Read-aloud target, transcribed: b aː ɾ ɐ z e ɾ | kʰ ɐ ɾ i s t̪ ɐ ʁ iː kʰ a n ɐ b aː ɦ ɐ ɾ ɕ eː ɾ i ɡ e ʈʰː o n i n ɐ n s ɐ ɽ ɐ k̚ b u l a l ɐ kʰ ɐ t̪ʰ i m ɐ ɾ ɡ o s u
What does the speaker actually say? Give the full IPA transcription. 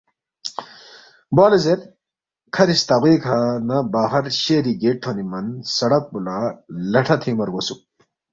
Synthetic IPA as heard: b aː l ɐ z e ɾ | kʰ ɐ ɾ i s t̪ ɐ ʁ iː kʰ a n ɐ b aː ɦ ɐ ɾ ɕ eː ɾ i ɡ e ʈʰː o n i m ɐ n s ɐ ɽ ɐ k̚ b u l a l ɐ ʈʰ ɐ t̪ʰ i m ɐ ɾ ɡ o s u